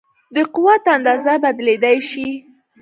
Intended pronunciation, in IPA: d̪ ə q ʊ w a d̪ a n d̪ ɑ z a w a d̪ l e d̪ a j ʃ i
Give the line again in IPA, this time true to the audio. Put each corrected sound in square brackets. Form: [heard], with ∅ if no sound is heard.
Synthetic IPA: d̪ ə q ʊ w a [t̪] a n d̪ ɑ z a [b] a d̪ l e d̪ a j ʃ i